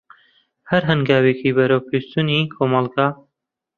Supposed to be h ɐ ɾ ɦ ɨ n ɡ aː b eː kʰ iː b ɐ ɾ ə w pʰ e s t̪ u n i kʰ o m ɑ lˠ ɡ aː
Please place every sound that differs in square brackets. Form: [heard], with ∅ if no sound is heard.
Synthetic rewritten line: h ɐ ɾ ɦ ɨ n ɡ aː [w] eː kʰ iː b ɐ ɾ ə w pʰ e s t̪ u n i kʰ o m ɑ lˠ ɡ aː